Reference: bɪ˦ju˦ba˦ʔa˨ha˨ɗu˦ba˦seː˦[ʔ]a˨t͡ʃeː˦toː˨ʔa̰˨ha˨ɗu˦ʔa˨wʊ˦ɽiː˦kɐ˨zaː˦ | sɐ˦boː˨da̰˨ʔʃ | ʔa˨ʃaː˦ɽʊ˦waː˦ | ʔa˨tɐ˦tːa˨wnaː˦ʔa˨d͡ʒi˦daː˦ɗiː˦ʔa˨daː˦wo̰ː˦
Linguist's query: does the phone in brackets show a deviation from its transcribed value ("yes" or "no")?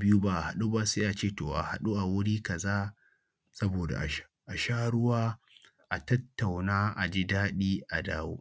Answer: no